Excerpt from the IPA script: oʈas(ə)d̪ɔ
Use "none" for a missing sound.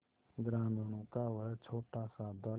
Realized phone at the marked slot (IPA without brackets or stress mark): a